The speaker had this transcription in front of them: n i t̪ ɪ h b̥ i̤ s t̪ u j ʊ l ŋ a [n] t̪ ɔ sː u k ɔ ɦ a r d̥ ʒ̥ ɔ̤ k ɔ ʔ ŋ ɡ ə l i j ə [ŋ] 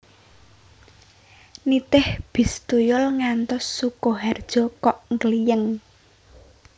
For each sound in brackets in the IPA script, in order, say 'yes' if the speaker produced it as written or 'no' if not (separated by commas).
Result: yes, yes